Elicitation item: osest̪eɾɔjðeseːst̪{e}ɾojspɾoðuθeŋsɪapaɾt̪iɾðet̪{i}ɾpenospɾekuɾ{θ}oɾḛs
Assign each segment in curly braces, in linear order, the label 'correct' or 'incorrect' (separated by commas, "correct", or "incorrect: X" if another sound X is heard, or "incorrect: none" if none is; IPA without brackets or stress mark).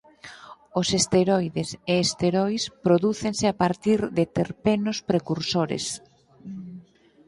correct, incorrect: e, incorrect: s